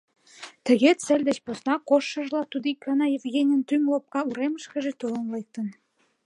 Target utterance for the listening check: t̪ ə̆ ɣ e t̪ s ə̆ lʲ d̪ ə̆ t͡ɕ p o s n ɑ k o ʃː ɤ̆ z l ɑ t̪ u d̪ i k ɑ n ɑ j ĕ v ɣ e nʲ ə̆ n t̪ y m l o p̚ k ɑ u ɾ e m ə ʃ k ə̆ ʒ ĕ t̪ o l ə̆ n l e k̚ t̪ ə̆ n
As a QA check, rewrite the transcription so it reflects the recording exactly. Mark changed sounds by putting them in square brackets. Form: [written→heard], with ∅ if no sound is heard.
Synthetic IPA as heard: t̪ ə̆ ɣ e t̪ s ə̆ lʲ d̪ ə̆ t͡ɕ p o s n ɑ k o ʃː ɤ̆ [z→ʒ] l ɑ t̪ u d̪ i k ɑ n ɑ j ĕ v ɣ e nʲ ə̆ n t̪ y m l o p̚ k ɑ u ɾ e m ə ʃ k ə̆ ʒ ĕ t̪ o l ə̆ n l e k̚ t̪ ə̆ n